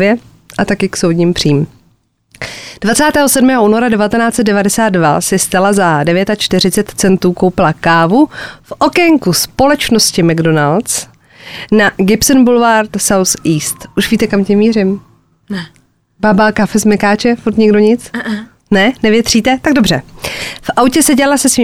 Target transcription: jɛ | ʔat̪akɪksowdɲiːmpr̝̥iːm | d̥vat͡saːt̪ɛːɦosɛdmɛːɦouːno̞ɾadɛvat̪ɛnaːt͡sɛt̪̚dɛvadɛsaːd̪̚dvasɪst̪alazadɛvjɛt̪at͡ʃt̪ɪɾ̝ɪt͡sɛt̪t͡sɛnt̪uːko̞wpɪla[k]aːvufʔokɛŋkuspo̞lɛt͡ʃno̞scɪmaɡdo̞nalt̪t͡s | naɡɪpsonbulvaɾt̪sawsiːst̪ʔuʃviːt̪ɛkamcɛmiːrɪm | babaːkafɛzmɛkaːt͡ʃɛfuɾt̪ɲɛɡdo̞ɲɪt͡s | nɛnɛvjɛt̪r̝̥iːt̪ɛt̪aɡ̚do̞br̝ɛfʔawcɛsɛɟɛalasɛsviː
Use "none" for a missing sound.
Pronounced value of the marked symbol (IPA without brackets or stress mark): k